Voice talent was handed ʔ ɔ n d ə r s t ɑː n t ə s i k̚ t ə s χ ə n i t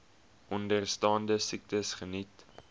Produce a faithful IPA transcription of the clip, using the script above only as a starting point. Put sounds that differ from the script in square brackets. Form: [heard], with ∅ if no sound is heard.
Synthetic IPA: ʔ ɔ n d ə r s t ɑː n [d] ə s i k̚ t ə s χ ə n i t